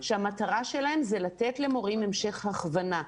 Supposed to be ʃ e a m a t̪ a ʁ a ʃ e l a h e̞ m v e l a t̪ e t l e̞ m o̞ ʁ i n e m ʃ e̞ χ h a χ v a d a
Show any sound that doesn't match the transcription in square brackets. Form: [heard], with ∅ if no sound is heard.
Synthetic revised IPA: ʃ e a m a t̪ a ʁ a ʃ e l a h e̞ m [z] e l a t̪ e t l e̞ m o̞ ʁ i [m] e m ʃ e̞ χ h a χ v a [n] a